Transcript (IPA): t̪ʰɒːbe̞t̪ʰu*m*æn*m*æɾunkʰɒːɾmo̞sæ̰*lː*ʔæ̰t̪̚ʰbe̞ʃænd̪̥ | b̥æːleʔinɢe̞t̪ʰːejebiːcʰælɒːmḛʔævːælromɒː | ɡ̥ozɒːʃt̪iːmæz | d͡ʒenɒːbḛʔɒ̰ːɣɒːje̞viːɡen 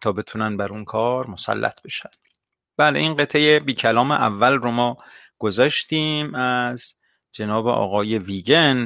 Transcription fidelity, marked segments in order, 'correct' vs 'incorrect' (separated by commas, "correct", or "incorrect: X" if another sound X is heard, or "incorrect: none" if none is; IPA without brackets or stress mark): incorrect: n, incorrect: b, correct